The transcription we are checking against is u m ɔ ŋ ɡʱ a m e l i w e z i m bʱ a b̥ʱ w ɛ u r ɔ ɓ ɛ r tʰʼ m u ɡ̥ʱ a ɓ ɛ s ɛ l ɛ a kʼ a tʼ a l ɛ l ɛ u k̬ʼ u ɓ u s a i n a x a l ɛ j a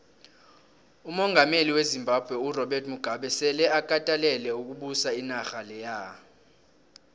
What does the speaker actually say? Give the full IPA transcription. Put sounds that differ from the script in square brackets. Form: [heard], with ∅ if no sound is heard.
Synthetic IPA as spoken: u m ɔ ŋ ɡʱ a m e l i w e z i m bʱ a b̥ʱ w ɛ u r ɔ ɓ ɛ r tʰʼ m u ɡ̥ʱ a ɓ ɛ s ɛ l ɛ a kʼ a tʼ a l ɛ l ɛ u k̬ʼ u ɓ u s a i n a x a l ɛ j a

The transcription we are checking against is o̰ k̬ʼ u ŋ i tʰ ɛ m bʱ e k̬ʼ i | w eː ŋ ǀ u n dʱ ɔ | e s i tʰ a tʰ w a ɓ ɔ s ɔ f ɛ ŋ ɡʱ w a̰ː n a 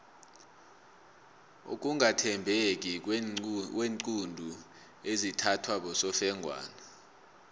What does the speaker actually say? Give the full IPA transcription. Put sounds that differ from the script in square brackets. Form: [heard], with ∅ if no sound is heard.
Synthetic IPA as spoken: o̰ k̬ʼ u ŋ [a] tʰ ɛ m bʱ e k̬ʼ i | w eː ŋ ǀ u n dʱ [u] | e [z] i tʰ a tʰ w a ɓ ɔ s ɔ f ɛ ŋ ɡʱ w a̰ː n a

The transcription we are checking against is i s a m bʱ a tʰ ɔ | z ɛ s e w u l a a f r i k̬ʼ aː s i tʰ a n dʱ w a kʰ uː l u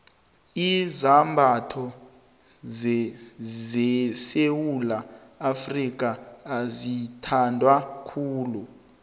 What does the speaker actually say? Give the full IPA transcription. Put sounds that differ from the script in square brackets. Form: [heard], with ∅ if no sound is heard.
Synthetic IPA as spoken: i [z] a m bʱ a tʰ ɔ | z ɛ s e w u l a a f r i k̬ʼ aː [z] i tʰ a n dʱ w a kʰ uː l u

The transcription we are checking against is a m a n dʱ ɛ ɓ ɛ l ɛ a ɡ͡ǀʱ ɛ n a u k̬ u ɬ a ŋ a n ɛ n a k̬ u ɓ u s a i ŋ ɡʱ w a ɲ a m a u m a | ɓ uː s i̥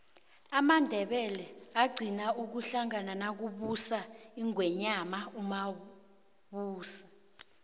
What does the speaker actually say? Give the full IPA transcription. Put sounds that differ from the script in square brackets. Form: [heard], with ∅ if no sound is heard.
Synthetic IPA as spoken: a m a n dʱ ɛ ɓ ɛ l ɛ a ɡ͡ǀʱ [i] n a u k̬ u ɬ a ŋ a n [a] n a k̬ u ɓ u s a i ŋ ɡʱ w [ɛ] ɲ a m a u m a | ɓ uː s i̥

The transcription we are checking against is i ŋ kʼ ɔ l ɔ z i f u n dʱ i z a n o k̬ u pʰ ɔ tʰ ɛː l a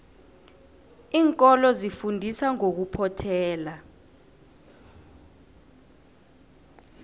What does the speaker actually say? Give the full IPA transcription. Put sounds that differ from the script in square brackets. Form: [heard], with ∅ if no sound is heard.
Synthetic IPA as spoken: [iː] ŋ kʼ ɔ l ɔ z i f u n dʱ i [s] a [ŋ] o k̬ u pʰ ɔ tʰ ɛː l a

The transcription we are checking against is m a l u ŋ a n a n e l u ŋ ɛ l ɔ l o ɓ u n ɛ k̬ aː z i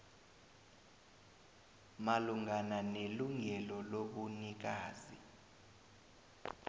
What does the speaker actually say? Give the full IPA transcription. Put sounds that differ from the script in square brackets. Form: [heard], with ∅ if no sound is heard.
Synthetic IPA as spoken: m a l u ŋ a n a n e l u ŋ ɛ l ɔ l o ɓ u n [i] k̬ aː z i

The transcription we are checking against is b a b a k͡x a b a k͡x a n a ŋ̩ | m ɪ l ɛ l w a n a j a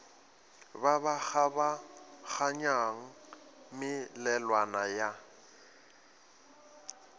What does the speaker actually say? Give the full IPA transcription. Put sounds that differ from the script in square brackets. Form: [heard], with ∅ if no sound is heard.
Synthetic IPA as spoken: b a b a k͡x a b a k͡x a [ɲ] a ŋ̩ | m ɪ l ɛ l w a n a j a

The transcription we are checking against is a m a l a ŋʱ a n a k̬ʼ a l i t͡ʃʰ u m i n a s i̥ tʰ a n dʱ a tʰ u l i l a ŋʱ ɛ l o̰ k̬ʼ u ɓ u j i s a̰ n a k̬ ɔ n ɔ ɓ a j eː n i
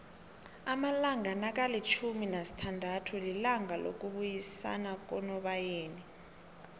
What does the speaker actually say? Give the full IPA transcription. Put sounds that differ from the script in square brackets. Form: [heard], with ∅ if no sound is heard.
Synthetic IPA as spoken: a m a l a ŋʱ a n a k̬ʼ a l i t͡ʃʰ u m i n a s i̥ tʰ a n dʱ a tʰ u l i l a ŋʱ [a] l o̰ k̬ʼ u ɓ u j i s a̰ n a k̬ ɔ n ɔ ɓ a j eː n i

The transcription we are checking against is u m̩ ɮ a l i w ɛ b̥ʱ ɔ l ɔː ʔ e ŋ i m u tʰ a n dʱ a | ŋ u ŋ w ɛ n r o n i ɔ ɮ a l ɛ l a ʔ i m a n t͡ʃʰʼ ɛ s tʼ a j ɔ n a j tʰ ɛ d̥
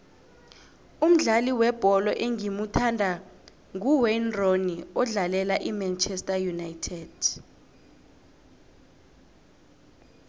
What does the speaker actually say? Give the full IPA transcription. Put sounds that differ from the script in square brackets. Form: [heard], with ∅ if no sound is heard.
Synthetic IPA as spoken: u m̩ ɮ a l i w ɛ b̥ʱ ɔ l [ɔ] ʔ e ŋ i m u tʰ a n dʱ a | ŋ u [∅] w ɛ n r o n i ɔ ɮ a l ɛ l a ʔ i m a n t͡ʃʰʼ ɛ s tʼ a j [u] n a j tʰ ɛ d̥

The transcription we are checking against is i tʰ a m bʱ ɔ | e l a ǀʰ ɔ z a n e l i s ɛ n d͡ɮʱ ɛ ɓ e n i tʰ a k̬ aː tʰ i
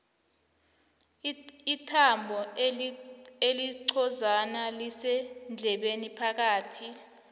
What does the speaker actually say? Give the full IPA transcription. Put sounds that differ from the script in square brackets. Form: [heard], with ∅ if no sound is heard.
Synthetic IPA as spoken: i tʰ a m bʱ ɔ | e l [i] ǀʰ ɔ z a n [a] l i s ɛ n d͡ɮʱ ɛ ɓ e n i [pʰ] a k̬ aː tʰ i

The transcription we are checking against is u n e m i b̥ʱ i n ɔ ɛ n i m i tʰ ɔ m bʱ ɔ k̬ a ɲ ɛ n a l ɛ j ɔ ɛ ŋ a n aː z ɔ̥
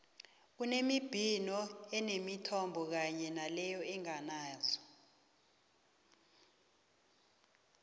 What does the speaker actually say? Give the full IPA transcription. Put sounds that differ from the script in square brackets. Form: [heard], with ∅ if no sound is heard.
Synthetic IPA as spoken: u n e m i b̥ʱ i n ɔ ɛ n [e] m i tʰ ɔ m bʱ ɔ k̬ a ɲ ɛ n a l ɛ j ɔ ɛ ŋ a n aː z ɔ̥

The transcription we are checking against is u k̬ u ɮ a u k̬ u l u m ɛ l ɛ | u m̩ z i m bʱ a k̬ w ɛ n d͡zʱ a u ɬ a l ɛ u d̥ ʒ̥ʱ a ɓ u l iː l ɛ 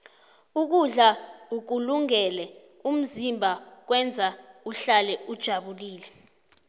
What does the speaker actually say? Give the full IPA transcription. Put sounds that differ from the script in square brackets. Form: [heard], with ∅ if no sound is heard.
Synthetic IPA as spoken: u k̬ u ɮ a u k̬ u l u [ŋ] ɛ l ɛ | u m̩ z i m bʱ a k̬ w ɛ n d͡zʱ a u ɬ a l ɛ u d̥ ʒ̥ʱ a ɓ u l iː l ɛ

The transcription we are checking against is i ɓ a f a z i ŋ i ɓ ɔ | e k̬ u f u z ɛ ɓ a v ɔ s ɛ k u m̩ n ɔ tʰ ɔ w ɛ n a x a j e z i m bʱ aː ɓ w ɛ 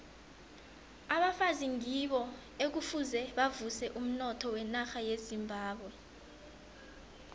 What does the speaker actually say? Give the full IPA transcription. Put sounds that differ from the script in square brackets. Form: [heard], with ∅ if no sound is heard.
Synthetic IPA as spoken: [a] ɓ a f a z i ŋ i ɓ ɔ | e k̬ u f u z ɛ ɓ a v [u] s ɛ [ʔ] u m̩ n ɔ tʰ ɔ w ɛ n a x a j e z i m bʱ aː ɓ w ɛ

